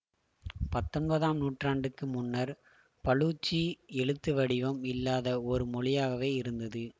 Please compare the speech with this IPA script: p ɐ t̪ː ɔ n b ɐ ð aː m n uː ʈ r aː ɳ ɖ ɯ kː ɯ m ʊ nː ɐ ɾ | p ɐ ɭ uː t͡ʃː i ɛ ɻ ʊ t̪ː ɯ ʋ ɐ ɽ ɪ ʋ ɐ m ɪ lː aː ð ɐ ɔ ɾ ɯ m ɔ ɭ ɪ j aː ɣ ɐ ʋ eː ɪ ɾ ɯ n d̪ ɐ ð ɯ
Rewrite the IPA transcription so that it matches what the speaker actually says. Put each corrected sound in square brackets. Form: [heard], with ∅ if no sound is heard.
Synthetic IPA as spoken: p ɐ t̪ː ɔ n b ɐ ð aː m n uː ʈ r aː ɳ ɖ ɯ kː ɯ m ʊ nː ɐ ɾ | p ɐ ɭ uː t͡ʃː i ɛ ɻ [ɯ] t̪ː ɯ ʋ ɐ ɽ ɪ ʋ ɐ m ɪ lː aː ð ɐ ɔ ɾ ɯ m ɔ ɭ ɪ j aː ɣ ɐ ʋ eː ɪ ɾ ɯ n d̪ ɐ ð ɯ